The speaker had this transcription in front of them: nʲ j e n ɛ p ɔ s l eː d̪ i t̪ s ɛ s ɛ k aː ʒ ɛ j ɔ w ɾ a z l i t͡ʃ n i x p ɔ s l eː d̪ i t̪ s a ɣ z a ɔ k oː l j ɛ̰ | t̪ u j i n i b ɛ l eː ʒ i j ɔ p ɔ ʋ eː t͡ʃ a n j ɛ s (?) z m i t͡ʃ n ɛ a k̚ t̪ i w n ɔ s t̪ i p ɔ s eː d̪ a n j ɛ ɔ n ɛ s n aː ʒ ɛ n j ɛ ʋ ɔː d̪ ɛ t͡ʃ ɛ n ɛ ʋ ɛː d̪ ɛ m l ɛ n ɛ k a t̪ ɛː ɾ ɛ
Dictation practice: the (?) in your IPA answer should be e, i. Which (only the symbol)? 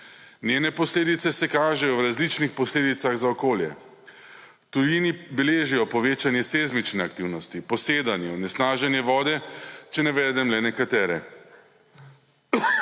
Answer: e